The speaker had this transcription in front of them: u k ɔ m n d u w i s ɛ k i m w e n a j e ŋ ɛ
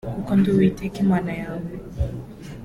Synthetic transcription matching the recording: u k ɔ n d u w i t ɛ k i m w a n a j a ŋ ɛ